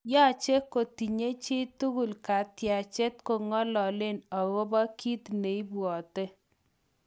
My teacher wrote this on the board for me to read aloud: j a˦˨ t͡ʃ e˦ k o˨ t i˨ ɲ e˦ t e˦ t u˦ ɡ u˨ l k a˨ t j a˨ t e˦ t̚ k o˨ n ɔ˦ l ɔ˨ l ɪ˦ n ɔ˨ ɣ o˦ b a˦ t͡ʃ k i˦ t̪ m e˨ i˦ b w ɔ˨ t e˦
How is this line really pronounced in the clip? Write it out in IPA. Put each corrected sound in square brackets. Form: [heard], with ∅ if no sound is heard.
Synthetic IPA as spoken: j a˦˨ t͡ʃ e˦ k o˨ t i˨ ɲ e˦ [t͡ʃ] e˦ t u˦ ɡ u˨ l k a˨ t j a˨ [t͡ʃ] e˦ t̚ k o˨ [ŋ] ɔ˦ l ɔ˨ l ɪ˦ n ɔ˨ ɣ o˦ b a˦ [∅] k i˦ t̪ [n] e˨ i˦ b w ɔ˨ t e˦

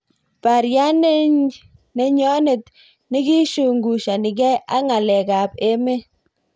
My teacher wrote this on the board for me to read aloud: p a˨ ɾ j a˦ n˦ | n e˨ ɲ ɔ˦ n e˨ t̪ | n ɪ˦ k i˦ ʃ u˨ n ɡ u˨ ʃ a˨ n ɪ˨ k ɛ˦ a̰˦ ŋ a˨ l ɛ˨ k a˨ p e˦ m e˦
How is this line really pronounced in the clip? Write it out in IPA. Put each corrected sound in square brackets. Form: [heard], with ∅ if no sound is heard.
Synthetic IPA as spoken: p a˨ ɾ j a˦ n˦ | n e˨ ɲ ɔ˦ n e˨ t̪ | n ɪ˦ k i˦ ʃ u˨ [ŋ] ɡ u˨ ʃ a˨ n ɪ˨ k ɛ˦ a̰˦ ŋ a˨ l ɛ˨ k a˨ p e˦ m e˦

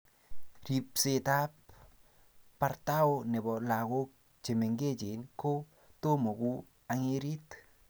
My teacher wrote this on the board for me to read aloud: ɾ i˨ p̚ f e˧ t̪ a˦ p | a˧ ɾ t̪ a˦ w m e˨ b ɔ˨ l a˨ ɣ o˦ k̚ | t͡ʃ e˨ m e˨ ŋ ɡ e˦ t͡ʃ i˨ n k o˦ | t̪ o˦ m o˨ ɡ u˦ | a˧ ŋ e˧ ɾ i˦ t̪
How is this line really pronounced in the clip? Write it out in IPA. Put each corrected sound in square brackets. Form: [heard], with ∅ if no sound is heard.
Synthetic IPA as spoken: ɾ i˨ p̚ [s] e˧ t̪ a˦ p | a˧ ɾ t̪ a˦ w [n] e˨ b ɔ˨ l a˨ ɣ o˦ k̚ | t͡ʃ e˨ m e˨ ŋ ɡ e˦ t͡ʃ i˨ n k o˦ | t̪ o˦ m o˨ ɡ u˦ | a˧ ŋ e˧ ɾ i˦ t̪

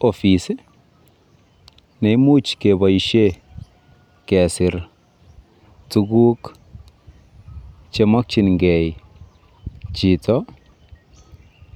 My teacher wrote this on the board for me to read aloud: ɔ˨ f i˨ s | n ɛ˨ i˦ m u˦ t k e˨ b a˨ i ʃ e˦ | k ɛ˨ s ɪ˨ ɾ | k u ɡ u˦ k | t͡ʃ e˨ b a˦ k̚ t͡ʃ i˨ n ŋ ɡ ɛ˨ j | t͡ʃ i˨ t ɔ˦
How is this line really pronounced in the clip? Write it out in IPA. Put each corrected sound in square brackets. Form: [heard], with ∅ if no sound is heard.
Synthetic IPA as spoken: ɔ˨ f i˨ s | n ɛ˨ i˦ m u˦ [t͡ʃ] k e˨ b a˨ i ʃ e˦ | k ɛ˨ s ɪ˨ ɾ | [t] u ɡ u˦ k | t͡ʃ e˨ [m] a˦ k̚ t͡ʃ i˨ n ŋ ɡ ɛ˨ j | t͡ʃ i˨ t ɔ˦

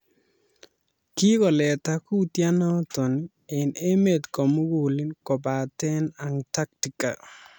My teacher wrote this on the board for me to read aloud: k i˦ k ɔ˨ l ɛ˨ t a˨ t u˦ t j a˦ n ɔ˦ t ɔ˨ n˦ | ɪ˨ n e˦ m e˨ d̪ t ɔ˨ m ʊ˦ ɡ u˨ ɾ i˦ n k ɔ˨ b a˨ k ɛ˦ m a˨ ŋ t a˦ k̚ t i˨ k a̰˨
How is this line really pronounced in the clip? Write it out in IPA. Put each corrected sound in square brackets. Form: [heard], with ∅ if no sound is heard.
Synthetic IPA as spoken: k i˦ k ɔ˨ l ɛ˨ t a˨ [k] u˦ t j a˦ n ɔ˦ t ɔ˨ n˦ | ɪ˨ n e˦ m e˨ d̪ [k] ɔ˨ m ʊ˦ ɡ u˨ [l] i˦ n k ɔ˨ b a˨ [t] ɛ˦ [n] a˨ ŋ t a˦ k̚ t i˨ k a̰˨

